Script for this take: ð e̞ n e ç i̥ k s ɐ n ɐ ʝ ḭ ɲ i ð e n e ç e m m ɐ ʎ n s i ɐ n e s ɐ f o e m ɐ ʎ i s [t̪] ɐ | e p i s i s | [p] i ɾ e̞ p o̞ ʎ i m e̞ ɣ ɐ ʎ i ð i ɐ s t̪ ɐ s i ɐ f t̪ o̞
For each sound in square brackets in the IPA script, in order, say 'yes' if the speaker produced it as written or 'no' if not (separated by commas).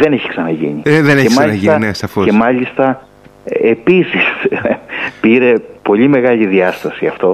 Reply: yes, yes